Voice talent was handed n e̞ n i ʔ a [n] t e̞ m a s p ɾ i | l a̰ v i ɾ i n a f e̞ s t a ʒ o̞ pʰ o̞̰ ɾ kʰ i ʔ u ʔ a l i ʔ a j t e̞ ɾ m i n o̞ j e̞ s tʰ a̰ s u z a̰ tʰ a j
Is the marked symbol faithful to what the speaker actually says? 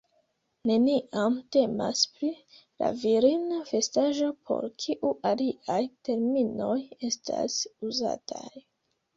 no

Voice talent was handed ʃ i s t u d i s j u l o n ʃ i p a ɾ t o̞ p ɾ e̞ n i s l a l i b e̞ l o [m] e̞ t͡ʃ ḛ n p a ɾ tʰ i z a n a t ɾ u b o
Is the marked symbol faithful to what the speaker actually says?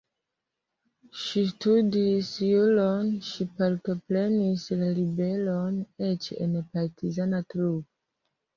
no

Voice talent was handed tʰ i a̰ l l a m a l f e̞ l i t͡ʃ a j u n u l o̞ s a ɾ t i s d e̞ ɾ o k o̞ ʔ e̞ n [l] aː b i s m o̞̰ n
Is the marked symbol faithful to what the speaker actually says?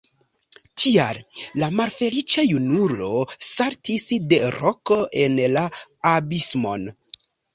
yes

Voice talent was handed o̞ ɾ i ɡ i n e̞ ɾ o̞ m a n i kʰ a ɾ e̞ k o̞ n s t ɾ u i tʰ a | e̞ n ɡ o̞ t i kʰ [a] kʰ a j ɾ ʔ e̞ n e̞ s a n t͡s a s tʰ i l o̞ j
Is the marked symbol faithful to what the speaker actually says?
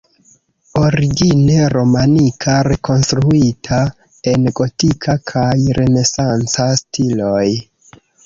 yes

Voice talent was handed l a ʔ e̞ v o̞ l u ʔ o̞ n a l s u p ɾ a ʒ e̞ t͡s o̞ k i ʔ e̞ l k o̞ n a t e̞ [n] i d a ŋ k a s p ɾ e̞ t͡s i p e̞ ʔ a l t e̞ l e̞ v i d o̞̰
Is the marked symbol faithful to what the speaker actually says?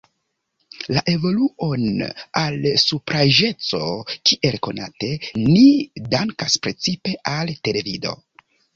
yes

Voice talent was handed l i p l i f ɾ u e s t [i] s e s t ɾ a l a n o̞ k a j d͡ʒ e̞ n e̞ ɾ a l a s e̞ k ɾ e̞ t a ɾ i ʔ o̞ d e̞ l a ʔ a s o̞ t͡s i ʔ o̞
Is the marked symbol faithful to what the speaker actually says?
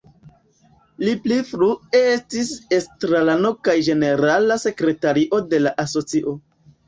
yes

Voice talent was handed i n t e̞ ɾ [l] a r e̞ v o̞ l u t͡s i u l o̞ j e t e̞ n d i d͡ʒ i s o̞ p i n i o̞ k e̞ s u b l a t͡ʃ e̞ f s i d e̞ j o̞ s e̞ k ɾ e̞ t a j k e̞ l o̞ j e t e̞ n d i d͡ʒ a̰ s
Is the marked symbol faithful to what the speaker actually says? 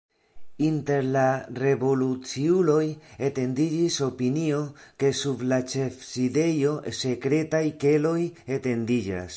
yes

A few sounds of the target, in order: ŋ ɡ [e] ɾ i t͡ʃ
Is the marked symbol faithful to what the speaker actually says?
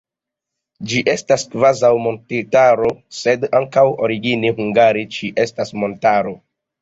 no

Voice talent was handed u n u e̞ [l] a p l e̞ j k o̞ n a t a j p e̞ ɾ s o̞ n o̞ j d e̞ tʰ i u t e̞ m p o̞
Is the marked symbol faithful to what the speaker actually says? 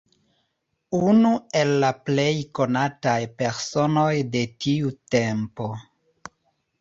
no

